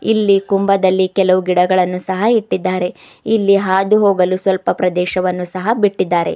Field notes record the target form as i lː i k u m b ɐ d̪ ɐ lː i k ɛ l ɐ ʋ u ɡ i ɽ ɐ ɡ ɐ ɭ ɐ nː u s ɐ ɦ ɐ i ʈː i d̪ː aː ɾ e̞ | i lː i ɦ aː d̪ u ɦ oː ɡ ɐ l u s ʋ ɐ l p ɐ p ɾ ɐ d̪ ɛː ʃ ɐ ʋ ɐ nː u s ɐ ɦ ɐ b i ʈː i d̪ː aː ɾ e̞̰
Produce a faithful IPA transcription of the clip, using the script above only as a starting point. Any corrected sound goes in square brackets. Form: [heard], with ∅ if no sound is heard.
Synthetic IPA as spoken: i lː i k u m b ɐ d̪ ɐ lː i k ɛ l ɐ ʋ u ɡ i ɽ ɐ ɡ ɐ ɭ ɐ nː u s ɐ ɦ ɐ i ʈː i d̪ː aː ɾ e̞ | i lː i ɦ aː d̪ u ɦ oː ɡ ɐ l u s ʋ ɐ l p ɐ p ɾ ɐ d̪ ɛː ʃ ɐ ʋ ɐ nː u s ɐ ɦ ɐ b i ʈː i d̪ː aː ɾ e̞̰

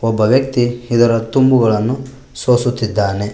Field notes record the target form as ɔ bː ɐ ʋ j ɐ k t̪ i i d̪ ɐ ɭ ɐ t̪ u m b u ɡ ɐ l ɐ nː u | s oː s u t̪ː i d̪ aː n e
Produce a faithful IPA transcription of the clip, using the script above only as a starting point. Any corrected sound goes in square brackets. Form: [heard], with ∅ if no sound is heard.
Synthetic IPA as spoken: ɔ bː ɐ ʋ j ɐ k t̪ i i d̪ ɐ [ɾ] ɐ t̪ u m b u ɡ ɐ [ɭ] ɐ nː u | s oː s u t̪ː i [d̪ː] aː n e

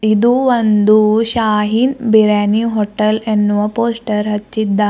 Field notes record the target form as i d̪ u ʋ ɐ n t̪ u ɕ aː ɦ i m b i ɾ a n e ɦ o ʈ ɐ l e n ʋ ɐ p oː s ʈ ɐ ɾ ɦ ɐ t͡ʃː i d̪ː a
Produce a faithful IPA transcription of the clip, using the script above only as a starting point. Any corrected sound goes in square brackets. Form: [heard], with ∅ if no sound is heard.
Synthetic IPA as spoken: i d̪ u ʋ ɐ n [d̪] u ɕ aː ɦ i [n] b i ɾ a n [i] ɦ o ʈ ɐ l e n ʋ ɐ p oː s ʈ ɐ ɾ ɦ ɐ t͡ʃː i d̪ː a

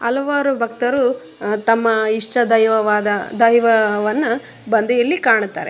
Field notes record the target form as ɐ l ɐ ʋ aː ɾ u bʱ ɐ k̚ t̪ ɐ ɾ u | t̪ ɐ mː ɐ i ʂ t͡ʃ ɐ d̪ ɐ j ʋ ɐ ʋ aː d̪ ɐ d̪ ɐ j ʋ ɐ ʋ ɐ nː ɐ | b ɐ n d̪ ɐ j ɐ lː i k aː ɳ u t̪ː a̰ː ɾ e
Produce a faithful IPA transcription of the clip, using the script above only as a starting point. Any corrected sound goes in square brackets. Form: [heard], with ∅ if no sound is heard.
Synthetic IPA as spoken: ɐ l ɐ ʋ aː ɾ u bʱ ɐ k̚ t̪ ɐ ɾ u | t̪ ɐ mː ɐ i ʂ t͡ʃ ɐ d̪ ɐ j ʋ ɐ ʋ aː d̪ ɐ d̪ ɐ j ʋ ɐ ʋ ɐ nː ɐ | b ɐ n d̪ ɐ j ɐ lː i k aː ɳ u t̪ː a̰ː ɾ e

